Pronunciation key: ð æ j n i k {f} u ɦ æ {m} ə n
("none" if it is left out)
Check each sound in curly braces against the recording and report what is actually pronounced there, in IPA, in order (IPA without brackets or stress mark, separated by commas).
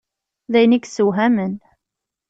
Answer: s, m